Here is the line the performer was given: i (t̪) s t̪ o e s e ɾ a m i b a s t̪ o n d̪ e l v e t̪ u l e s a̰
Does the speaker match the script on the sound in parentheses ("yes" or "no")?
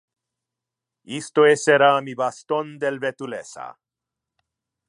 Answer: no